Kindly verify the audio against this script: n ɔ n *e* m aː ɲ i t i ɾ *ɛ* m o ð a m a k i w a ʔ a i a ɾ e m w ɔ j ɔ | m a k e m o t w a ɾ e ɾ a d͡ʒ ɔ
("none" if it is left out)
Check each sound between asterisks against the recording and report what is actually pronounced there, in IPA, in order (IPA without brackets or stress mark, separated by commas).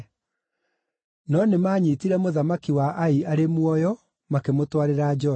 e, ɛ